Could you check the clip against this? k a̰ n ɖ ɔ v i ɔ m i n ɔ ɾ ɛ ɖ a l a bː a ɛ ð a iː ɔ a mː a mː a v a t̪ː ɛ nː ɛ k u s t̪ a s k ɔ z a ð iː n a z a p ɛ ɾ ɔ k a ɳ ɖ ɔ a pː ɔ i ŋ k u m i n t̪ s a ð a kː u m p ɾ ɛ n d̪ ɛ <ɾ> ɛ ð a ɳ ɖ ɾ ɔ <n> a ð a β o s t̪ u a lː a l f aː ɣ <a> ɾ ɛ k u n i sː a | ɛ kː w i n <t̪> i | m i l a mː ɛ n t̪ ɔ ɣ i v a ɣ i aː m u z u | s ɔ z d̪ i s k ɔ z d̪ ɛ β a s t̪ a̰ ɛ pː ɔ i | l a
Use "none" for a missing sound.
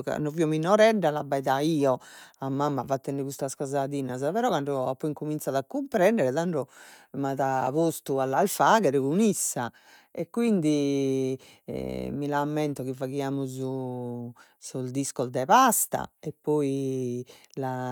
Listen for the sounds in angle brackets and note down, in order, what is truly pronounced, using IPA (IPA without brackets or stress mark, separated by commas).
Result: ɾ, m, ɛ, d̪